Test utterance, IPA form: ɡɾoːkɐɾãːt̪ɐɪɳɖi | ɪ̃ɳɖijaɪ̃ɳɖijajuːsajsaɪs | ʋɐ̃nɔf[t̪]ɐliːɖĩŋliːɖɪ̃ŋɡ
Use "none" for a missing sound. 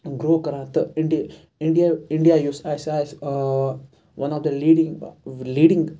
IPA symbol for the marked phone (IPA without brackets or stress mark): d̪